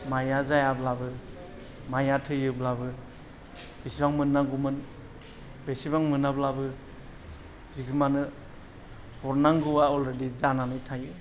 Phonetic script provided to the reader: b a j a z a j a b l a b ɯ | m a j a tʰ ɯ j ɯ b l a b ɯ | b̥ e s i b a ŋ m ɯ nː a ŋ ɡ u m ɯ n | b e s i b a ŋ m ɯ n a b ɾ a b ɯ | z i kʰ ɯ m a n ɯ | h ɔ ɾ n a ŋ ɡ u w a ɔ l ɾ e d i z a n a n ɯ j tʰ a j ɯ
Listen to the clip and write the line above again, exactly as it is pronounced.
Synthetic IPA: m a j a z a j a b l a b ɯ | m a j a tʰ ɯ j ɯ b l a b ɯ | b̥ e s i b a ŋ m ɯ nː a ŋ ɡ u m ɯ n | b e s i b a ŋ m ɯ n a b l a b ɯ | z i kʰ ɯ m a n ɯ | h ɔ ɾ n a ŋ ɡ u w a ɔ l ɾ e d i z a n a n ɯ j tʰ a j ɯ